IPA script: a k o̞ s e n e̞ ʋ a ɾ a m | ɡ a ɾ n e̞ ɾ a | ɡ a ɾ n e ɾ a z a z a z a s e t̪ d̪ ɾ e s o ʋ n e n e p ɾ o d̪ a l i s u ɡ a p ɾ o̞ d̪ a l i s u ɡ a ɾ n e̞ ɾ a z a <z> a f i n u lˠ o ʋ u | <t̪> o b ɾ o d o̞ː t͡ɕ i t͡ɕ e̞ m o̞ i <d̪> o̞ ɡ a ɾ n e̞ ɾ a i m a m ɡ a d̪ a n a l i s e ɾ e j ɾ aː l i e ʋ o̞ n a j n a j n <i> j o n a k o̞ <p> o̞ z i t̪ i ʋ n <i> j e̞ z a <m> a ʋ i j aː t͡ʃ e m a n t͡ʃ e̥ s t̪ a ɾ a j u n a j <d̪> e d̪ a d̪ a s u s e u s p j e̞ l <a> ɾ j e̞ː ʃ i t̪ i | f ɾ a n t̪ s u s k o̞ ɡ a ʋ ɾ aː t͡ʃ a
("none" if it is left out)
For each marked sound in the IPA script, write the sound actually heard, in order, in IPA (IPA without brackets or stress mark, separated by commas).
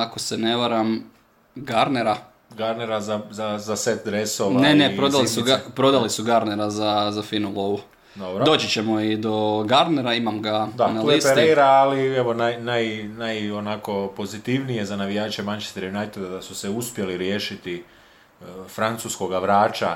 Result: z, d̪, d̪, a, p, i, n, t̪, i